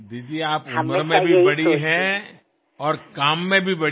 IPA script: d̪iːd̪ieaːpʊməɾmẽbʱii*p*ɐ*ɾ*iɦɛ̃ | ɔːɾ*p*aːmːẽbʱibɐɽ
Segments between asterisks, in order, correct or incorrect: incorrect: b, incorrect: ɽ, incorrect: k

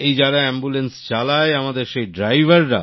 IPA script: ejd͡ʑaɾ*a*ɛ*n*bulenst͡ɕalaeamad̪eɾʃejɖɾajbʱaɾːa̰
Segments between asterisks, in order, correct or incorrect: correct, incorrect: m

